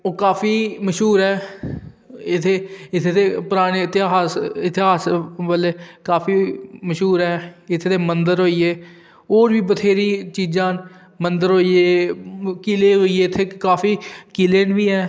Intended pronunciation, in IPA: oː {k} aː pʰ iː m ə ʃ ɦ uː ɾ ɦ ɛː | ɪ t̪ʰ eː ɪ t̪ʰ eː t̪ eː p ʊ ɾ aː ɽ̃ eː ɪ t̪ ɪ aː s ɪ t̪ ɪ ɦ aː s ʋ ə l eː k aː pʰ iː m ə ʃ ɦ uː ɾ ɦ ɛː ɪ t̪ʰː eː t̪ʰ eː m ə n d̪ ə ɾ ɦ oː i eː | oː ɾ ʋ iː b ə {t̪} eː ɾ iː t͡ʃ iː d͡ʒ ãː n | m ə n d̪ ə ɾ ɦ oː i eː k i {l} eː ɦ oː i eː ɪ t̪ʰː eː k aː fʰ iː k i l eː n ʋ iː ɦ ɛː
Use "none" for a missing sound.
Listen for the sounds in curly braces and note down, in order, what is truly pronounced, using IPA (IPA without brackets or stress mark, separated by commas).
k, t̪ʰ, l